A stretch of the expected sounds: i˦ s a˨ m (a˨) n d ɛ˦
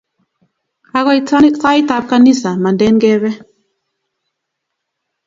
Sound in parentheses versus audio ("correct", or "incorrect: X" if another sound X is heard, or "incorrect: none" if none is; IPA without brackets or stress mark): correct